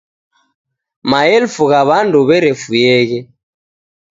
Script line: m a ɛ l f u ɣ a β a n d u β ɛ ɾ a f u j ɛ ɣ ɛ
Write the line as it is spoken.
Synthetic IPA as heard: m a ɛ l f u ɣ a β a n d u β ɛ ɾ ɛ f u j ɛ ɣ ɛ

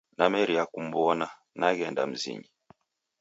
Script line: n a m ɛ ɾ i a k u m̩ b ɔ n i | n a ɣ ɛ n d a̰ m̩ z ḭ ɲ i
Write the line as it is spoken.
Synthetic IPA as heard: n a m ɛ ɾ i a k u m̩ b ɔ n a | n a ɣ ɛ n d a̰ m̩ z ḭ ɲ i

